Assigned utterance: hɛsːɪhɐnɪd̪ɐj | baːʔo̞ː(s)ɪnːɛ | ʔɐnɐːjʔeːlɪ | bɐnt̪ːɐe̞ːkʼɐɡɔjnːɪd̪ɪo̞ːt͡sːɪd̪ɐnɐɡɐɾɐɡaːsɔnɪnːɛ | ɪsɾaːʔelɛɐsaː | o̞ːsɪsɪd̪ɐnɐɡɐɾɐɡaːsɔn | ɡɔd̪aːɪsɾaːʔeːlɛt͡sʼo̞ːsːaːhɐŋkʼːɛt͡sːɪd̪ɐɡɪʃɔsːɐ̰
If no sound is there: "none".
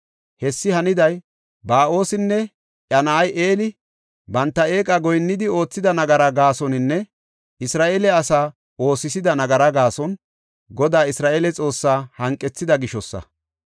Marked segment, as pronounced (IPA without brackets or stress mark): s